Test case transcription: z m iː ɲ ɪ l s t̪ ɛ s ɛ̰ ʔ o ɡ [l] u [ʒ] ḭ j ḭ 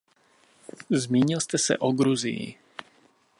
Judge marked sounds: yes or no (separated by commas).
no, no